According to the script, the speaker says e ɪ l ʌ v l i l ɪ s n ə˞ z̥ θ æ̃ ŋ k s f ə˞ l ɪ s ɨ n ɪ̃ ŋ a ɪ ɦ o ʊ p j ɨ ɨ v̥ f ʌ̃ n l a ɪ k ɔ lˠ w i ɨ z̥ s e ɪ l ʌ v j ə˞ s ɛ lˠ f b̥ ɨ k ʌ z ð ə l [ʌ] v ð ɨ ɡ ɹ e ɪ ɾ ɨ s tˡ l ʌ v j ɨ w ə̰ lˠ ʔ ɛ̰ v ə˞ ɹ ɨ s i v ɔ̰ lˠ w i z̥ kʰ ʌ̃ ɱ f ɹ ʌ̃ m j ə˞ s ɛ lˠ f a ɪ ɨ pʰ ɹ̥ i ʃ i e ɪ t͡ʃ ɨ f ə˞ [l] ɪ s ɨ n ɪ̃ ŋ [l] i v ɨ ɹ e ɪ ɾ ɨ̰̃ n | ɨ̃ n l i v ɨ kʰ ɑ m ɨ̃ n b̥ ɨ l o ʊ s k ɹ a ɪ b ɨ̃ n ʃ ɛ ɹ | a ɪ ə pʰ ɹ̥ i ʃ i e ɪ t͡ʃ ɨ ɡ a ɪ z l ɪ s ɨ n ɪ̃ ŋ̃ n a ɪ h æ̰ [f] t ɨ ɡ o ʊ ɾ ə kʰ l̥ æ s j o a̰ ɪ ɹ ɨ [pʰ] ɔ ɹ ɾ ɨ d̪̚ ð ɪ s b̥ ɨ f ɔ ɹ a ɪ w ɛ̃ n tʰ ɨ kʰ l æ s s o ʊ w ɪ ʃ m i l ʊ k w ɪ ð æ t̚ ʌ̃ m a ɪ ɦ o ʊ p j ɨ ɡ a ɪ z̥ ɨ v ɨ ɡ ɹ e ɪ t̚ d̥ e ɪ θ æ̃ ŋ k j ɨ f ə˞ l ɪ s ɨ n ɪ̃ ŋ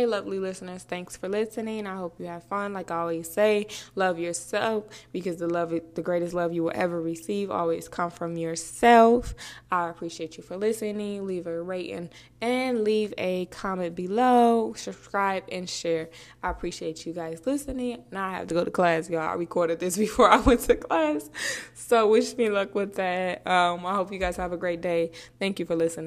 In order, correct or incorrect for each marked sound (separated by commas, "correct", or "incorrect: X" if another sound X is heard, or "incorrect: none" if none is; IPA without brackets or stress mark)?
correct, correct, correct, correct, incorrect: kʰ